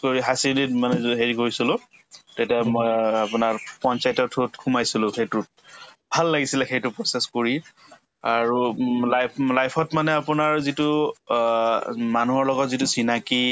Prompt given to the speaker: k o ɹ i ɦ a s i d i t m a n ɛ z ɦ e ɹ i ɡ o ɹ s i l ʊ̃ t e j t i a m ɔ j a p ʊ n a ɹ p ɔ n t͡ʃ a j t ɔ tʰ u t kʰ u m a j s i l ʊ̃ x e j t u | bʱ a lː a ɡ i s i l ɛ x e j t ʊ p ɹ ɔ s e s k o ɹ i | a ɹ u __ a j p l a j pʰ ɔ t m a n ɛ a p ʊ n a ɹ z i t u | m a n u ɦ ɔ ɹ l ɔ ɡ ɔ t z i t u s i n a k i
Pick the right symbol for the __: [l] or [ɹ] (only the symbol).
l